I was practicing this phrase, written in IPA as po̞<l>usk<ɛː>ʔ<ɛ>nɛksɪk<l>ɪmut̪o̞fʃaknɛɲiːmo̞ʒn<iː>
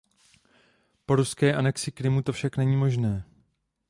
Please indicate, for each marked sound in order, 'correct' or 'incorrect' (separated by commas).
incorrect, correct, incorrect, incorrect, incorrect